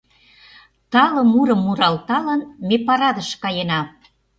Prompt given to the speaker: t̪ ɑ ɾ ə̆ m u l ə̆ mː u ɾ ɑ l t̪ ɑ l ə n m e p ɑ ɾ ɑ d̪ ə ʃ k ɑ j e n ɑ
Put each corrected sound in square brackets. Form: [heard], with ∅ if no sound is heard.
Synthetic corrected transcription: t̪ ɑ [l] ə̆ m u [ɾ] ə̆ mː u ɾ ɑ l t̪ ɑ l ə n m e p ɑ ɾ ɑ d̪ ə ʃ k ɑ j e n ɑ